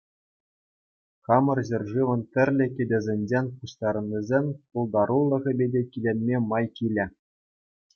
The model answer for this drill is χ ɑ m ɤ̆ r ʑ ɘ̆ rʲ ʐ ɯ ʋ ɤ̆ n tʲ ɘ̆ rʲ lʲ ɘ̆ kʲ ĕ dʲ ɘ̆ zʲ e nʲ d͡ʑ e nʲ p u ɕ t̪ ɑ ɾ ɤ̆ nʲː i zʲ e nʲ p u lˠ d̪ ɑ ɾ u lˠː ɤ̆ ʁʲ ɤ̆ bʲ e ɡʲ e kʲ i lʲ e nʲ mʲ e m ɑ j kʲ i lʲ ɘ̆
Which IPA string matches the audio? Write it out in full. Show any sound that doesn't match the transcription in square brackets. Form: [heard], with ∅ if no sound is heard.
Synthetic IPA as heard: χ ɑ m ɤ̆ r ʑ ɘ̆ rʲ ʐ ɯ ʋ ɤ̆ n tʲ ɘ̆ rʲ lʲ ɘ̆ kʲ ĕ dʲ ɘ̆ zʲ e nʲ d͡ʑ e nʲ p u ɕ t̪ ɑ ɾ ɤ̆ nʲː i zʲ e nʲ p u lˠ d̪ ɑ ɾ u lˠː ɤ̆ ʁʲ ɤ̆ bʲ e [dʲ] e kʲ i lʲ e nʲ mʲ e m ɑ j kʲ i lʲ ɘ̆